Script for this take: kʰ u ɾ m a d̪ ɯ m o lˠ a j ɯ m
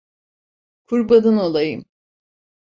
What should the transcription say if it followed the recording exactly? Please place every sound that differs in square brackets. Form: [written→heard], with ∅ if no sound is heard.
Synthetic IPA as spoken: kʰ u ɾ [m→b] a d̪ ɯ [m→n] o lˠ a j ɯ m